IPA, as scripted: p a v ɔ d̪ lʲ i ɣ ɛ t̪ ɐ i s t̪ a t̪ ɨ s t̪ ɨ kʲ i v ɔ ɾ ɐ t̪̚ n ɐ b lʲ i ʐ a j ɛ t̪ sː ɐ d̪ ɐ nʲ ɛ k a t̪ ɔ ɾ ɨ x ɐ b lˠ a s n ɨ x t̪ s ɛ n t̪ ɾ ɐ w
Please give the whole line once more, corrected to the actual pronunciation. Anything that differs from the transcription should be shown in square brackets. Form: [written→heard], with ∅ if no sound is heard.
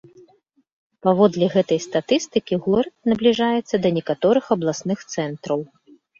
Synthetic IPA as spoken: p a v ɔ d̪ lʲ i ɣ ɛ t̪ ɐ [i→j] s t̪ a t̪ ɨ s t̪ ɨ kʲ i [v→ɣ] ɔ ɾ ɐ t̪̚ n ɐ b lʲ i ʐ a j ɛ t̪ sː ɐ d̪ ɐ nʲ ɛ k a t̪ ɔ ɾ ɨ x ɐ b lˠ a s n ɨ x t̪ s ɛ n t̪ ɾ ɐ w